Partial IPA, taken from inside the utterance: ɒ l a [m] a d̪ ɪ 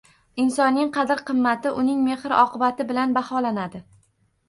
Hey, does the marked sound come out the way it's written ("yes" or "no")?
no